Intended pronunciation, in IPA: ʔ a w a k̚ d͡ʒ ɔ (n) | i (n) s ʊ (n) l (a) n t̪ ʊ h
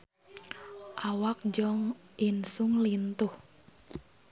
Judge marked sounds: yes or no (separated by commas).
no, yes, no, no